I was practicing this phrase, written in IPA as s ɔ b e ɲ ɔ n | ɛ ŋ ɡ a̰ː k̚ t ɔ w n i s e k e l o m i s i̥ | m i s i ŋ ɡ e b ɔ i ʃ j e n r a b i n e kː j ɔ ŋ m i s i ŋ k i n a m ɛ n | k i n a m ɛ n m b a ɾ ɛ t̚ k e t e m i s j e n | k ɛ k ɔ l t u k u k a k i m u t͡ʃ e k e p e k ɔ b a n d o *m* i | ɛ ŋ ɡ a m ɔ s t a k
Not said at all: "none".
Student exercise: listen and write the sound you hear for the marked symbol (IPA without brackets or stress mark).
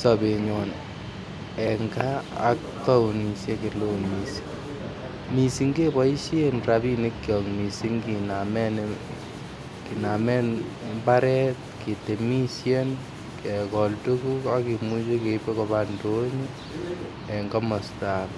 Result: ɲ